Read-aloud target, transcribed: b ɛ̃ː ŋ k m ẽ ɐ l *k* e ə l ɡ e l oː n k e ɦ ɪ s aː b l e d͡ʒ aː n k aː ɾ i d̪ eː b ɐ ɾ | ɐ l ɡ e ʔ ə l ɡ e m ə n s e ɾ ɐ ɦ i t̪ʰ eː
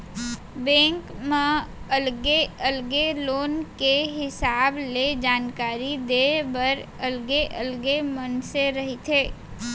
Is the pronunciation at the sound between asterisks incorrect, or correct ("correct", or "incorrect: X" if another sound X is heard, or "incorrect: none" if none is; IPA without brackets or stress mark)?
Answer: incorrect: ɡ